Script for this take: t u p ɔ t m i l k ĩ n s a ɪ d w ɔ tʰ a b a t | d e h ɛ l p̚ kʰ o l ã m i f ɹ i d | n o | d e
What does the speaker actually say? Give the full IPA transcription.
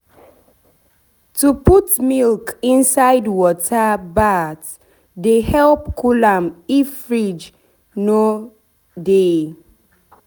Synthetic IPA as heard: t u p u t m i l k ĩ n s a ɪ d w ɔ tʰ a b a t | d e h ɛ l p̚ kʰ u l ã m i f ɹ i d͡ʒ | n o | d e

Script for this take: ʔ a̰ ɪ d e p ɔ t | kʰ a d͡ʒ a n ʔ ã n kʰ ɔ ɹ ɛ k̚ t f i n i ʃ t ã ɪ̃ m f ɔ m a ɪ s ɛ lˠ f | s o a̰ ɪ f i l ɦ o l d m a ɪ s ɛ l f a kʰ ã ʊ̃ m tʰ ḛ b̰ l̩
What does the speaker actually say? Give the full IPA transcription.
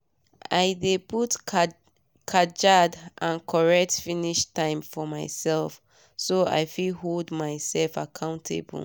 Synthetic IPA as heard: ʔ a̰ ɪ d e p u t | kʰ a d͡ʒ a d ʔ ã n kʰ ɔ ɹ ɛ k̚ t f i n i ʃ t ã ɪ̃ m f ɔ m a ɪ s ɛ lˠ f | s o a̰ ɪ f i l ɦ o l d m a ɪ s ɛ l f a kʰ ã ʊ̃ n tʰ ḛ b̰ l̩

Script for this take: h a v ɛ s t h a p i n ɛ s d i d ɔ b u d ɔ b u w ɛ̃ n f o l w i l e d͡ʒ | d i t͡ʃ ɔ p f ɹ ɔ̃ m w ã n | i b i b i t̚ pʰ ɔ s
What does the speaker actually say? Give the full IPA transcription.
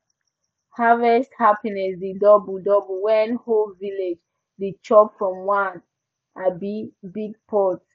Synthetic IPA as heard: h a v ɛ s t h a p i n ɛ s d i d ɔ b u d ɔ b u w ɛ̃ n h o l v i l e d͡ʒ | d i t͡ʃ ɔ p f ɹ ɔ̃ m w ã n | a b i b i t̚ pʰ ɔ t

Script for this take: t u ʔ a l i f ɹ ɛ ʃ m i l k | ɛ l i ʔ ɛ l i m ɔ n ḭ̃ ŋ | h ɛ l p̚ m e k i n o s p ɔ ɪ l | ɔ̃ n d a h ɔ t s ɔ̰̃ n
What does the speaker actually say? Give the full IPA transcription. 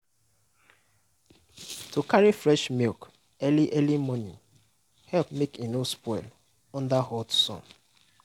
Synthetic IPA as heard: t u k a ɹ i f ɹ ɛ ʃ m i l k | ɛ l i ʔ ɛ l i m ɔ n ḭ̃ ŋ | h ɛ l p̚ m e k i n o s p ɔ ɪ l | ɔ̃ n d a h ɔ t s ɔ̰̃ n

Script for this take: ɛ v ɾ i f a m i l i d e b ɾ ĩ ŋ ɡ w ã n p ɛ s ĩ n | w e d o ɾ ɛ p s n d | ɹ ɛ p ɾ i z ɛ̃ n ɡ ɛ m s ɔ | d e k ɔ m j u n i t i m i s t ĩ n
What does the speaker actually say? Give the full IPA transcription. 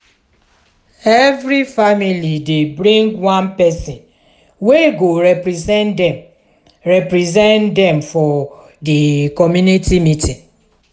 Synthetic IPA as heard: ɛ v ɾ i f a m i l i d e b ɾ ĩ ŋ ɡ w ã n p ɛ s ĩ n | w e ɡ o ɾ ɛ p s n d | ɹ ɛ p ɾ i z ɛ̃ n d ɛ m f ɔ | d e k ɔ m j u n i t i m i t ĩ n

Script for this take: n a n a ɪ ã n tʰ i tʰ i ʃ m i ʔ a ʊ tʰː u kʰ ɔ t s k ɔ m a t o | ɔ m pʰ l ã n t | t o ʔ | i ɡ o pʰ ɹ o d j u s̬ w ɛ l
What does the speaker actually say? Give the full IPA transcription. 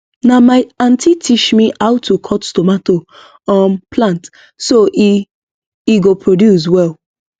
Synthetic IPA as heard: n a m a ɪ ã n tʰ i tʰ i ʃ m i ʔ a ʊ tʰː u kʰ ɔ t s t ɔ m a t o | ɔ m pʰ l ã n t | s o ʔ | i ɡ o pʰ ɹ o d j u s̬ w ɛ l

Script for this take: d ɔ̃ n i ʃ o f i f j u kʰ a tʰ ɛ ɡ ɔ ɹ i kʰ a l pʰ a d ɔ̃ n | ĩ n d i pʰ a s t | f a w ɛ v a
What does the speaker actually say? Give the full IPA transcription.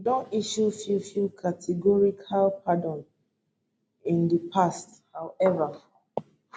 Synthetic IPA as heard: d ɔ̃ n i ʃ u f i f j u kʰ a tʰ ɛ ɡ ɔ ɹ i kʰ a l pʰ a d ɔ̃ n | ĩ n d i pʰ a s t | h a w ɛ v a

